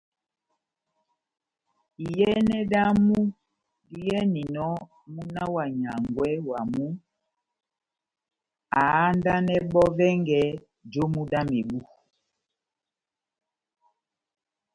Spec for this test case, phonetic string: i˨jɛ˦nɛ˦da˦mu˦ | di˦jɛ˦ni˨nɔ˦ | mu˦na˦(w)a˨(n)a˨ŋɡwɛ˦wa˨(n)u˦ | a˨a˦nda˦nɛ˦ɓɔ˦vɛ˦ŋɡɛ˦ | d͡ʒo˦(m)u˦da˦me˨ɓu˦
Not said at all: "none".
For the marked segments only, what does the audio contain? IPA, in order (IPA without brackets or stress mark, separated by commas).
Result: w, ɲ, m, m